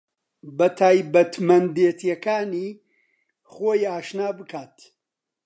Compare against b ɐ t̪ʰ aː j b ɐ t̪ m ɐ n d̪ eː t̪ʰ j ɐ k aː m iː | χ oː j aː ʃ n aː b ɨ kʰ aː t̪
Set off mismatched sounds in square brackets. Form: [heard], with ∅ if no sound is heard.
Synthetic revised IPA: b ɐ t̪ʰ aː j b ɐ t̪ m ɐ n d̪ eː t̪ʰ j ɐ k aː [n] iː | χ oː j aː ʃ n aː b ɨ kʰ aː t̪